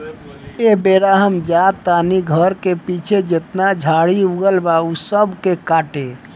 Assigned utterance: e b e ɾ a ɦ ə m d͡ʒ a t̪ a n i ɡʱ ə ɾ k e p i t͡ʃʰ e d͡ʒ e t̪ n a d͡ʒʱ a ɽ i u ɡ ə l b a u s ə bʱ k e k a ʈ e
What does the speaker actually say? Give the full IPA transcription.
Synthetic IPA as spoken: e b e ɾ a ɦ ə m d͡ʒ a t̪ a n i ɡʱ ə ɾ k e p i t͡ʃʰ e d͡ʒ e t̪ n a d͡ʒʱ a ɽ i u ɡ ə l b a u s ə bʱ k e k a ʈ e